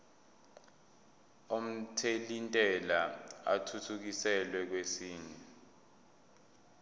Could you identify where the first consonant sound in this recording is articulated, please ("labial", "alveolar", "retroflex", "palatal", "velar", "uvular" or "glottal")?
labial